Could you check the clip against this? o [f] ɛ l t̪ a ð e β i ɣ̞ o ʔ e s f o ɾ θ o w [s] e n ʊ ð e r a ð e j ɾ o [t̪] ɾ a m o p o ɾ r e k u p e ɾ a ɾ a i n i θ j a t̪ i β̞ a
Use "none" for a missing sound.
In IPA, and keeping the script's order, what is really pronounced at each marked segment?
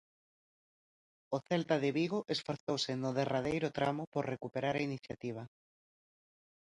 θ, s, t̪

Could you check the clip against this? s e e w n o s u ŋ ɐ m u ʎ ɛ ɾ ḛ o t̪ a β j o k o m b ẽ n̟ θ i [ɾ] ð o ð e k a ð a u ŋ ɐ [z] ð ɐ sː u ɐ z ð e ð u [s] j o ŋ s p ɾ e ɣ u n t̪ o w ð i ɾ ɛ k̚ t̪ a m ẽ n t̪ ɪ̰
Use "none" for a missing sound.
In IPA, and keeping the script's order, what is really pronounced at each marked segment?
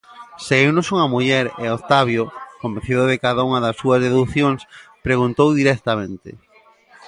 none, none, θ

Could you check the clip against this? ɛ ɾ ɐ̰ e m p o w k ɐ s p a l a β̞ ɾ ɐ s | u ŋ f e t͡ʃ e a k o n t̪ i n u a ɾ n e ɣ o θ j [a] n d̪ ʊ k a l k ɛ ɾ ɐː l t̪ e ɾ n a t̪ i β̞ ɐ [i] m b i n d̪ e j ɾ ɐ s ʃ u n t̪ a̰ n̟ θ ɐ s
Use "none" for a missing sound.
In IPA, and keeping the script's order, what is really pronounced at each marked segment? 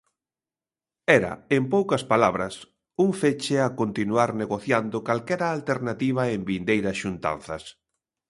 a, e

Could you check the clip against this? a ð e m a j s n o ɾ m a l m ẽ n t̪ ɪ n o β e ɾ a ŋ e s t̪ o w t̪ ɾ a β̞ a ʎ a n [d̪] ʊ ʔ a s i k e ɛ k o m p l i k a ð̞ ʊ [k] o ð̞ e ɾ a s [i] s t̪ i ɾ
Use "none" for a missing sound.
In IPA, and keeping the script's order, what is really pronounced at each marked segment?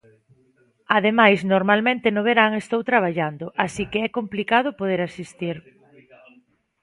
d̪, p, i

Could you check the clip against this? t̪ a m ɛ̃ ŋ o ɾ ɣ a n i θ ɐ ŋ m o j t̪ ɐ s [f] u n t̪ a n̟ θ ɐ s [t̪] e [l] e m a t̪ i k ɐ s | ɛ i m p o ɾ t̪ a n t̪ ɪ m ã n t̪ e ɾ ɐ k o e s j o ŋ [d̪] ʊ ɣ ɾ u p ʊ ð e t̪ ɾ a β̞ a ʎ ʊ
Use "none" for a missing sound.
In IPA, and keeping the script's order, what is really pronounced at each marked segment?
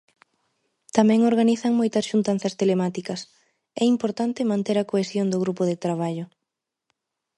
ʃ, t̪, l, d̪

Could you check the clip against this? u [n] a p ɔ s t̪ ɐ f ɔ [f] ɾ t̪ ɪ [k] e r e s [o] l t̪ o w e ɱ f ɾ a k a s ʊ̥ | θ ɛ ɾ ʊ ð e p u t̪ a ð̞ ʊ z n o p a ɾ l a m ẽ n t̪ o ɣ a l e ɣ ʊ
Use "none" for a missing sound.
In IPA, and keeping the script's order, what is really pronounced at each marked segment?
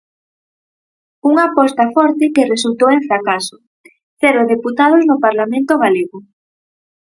ŋ, none, k, u

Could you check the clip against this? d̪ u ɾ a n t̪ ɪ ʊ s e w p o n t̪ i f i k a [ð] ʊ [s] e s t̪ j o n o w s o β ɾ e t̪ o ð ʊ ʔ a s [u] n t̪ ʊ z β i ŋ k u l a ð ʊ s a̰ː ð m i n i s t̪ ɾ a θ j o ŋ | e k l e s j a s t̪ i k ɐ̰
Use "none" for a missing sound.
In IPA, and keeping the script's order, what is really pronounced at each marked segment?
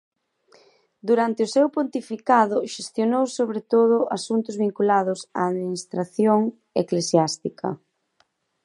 ð, ʃ, u

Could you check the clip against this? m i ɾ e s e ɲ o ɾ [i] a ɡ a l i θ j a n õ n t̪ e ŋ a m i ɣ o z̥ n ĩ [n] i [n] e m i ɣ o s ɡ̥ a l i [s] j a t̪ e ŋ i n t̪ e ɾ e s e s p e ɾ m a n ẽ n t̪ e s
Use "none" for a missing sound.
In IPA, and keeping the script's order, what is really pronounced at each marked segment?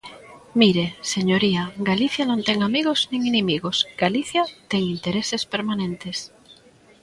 i, ŋ, n, θ

